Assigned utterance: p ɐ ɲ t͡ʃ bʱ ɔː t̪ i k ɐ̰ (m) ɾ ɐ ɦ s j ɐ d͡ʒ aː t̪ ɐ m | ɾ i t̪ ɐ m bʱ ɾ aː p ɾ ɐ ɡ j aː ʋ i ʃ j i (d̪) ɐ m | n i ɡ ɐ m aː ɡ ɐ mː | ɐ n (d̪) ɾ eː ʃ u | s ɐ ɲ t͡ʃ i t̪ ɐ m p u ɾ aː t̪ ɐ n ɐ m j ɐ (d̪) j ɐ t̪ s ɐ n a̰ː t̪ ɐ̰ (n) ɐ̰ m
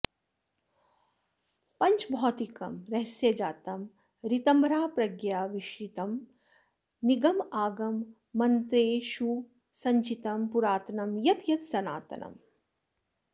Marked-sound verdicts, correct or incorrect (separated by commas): correct, incorrect, incorrect, incorrect, correct